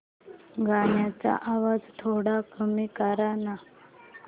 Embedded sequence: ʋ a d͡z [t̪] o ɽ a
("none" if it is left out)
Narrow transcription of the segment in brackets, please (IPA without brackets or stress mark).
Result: t̪ʰ